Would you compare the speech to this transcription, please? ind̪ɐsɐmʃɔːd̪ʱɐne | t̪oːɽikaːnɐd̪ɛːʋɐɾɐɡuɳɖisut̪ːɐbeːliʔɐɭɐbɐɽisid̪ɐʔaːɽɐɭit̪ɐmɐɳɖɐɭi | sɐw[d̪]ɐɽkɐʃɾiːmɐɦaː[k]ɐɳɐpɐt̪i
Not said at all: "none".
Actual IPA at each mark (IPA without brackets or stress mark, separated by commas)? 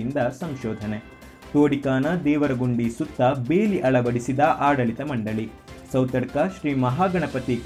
t̪, ɡ